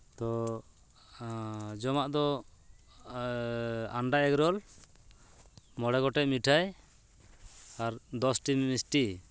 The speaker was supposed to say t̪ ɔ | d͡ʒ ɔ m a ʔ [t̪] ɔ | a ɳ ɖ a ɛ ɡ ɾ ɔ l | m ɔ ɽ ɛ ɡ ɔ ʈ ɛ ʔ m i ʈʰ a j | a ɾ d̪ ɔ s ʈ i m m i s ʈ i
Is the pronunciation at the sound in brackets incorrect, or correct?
incorrect